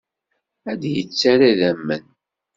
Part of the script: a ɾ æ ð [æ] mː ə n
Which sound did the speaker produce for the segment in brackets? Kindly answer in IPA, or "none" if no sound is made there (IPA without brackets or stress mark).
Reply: æ